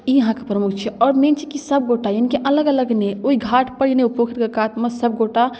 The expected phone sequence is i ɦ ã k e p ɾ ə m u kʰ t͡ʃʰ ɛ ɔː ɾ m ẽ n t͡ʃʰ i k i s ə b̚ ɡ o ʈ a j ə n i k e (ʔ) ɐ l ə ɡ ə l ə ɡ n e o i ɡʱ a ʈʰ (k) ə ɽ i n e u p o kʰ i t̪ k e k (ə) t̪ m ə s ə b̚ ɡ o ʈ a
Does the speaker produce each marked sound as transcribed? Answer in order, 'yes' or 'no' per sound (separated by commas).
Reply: yes, no, no